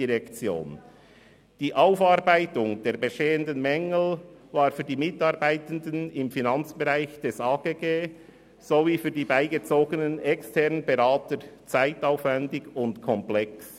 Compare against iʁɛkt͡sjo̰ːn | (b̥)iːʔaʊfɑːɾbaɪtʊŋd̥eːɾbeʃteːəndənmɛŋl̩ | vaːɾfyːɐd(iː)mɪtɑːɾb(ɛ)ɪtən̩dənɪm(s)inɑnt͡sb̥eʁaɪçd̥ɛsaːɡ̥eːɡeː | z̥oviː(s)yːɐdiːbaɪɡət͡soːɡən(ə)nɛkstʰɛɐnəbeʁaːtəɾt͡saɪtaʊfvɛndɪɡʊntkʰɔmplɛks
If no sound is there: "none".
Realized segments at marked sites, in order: d̥, iː, a, f, f, ə

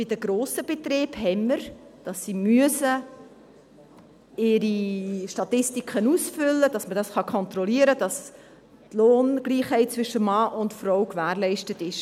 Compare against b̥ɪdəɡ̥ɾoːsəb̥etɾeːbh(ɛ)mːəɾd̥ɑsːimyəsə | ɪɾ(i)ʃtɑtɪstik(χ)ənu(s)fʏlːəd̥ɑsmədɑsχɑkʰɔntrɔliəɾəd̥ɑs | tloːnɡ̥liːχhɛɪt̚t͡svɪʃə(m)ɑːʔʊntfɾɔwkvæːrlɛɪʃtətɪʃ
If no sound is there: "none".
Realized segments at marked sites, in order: ɛ, i, χ, s, m

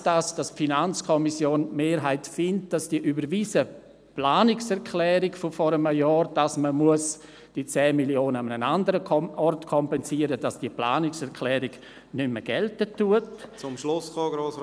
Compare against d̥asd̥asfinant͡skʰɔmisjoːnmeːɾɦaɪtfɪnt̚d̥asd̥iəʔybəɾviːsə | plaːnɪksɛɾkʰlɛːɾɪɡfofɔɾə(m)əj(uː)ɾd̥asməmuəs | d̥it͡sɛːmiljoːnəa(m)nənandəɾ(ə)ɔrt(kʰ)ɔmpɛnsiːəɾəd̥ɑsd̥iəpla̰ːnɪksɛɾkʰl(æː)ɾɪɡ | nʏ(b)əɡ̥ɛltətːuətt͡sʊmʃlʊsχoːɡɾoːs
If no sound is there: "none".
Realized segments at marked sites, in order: m, ɔː, m, ə, kʰ, ɛː, m

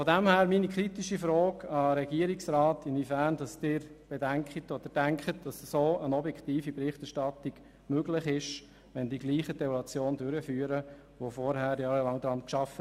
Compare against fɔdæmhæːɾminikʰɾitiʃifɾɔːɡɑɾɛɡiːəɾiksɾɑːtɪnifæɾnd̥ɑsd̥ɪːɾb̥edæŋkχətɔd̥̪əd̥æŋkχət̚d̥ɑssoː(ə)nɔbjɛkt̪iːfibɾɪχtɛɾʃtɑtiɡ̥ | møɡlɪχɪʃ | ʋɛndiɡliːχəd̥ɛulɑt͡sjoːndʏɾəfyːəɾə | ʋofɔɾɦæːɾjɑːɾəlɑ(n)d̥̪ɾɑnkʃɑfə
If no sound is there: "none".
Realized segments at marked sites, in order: ə, ŋ

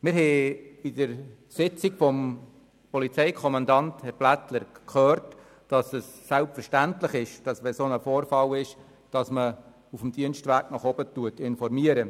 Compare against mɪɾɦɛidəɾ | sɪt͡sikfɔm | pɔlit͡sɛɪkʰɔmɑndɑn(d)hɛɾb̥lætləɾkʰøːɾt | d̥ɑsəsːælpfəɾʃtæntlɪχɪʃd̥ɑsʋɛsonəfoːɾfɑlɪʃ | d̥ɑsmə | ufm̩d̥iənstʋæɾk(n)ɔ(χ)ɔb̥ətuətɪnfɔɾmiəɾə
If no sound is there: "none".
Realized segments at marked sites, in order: t, n, χ

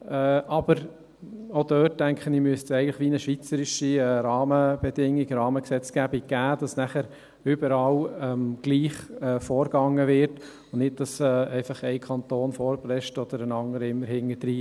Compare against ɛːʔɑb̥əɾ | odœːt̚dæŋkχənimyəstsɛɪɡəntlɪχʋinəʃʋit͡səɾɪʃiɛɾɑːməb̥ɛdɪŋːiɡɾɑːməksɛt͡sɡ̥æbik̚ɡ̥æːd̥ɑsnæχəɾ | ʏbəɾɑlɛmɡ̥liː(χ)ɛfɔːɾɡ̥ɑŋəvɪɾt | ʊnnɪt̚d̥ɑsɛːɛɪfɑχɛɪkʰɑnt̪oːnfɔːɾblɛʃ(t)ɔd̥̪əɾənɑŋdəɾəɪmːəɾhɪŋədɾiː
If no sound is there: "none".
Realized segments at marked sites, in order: χ, t

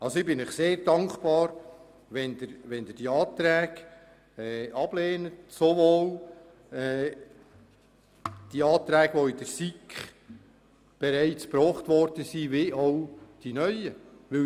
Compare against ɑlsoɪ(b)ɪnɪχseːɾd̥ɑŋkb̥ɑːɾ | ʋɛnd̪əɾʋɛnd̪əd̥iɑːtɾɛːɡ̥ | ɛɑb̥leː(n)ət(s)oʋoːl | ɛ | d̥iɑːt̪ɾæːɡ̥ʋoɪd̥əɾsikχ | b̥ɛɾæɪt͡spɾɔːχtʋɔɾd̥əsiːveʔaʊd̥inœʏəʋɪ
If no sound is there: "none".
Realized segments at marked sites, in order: b, n, s

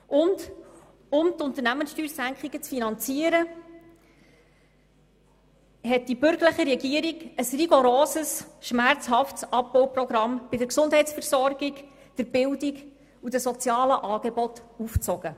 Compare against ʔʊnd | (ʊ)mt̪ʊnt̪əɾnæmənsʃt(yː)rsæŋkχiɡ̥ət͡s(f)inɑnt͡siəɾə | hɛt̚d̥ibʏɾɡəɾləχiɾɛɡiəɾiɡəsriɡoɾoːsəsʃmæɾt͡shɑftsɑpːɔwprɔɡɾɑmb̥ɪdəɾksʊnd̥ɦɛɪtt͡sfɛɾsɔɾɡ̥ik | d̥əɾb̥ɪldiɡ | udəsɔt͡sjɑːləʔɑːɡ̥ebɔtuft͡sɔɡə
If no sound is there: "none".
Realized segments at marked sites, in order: ʊ, yː, f

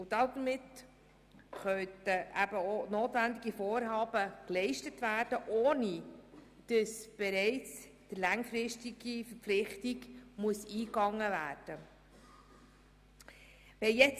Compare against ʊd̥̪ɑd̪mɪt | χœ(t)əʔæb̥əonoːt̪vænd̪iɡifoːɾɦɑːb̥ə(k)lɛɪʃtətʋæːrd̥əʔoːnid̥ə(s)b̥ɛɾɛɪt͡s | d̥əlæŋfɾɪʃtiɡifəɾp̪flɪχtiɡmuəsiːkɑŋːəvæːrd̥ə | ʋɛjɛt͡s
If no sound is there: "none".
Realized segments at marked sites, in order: t, k, s

